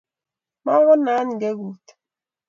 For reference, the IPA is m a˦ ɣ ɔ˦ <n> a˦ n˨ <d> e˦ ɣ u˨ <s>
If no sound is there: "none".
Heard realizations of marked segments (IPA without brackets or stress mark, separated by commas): n, ɡ, t